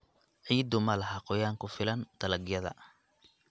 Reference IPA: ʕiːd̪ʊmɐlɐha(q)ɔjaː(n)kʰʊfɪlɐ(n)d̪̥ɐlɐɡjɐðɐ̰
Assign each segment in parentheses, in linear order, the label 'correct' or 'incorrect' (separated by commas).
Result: correct, incorrect, correct